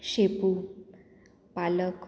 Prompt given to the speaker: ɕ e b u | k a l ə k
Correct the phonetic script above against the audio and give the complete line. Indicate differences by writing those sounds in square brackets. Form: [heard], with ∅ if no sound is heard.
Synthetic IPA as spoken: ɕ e [p] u | [p] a l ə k